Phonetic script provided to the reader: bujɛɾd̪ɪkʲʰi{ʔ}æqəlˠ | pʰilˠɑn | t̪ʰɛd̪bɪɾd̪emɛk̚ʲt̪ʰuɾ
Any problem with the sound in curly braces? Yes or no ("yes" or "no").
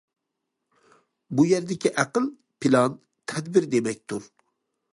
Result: no